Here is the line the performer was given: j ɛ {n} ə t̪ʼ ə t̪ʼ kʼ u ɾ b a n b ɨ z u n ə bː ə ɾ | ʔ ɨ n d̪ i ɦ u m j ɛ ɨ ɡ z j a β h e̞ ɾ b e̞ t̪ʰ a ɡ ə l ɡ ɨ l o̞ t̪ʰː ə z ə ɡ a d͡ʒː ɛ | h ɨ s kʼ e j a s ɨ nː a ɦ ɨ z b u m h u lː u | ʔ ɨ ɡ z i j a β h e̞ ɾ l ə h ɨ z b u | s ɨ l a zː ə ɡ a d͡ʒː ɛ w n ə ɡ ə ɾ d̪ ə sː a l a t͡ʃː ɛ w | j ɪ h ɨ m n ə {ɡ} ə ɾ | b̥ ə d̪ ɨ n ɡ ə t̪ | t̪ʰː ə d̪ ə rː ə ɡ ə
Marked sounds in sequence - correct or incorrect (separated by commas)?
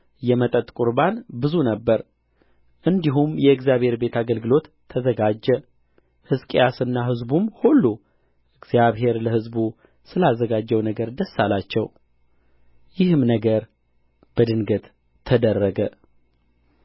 incorrect, correct